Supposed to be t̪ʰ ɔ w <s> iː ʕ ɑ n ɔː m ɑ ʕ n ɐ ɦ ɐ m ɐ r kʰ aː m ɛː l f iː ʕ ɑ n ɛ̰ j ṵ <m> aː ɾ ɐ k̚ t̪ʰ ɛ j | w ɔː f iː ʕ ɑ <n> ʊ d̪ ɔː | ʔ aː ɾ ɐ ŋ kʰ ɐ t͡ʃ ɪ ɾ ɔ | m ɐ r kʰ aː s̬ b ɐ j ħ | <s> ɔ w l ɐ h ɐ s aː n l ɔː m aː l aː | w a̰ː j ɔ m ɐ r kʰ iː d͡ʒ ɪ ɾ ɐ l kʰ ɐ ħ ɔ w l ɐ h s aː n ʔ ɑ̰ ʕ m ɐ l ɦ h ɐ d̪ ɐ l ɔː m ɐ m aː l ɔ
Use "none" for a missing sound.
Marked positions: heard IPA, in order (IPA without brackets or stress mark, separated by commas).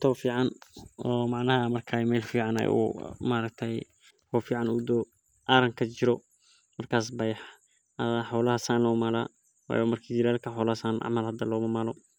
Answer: f, m, n, ħ